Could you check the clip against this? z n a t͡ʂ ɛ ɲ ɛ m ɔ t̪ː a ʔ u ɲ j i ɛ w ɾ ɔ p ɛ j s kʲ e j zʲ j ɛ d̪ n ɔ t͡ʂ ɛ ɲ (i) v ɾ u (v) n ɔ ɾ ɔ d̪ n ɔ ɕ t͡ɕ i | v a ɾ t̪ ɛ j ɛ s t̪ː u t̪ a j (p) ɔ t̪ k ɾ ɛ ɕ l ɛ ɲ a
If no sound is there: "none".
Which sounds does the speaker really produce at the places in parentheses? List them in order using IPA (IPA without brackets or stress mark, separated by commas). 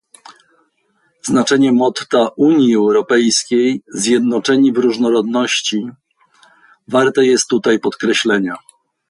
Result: i, ʐ, p